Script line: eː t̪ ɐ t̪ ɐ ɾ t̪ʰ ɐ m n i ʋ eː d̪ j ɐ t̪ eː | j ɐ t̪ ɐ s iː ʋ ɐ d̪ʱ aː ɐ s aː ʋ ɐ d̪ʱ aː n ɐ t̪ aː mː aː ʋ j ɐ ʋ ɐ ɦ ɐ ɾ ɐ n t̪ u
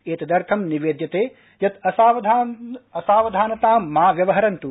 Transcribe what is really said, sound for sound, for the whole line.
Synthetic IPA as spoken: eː t̪ ɐ d̪ ɐ ɾ t̪ʰ ɐ m n i ʋ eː d̪ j ɐ t̪ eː | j ɐ t̪ ɐ s aː ʋ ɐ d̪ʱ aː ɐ s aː ʋ ɐ d̪ʱ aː n ɐ t̪ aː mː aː ʋ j ɐ ʋ ɐ ɦ ɐ ɾ ɐ n t̪ u